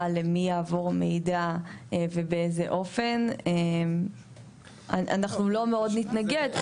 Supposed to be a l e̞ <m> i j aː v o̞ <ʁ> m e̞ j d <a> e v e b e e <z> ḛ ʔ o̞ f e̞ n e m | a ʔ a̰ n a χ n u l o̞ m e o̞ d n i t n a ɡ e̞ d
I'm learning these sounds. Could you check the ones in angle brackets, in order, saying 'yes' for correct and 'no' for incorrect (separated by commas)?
yes, yes, yes, yes